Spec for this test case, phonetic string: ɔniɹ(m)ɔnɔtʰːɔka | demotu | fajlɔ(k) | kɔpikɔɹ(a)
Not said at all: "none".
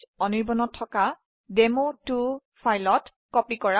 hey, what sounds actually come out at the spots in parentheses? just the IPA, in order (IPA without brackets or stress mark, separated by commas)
b, t, a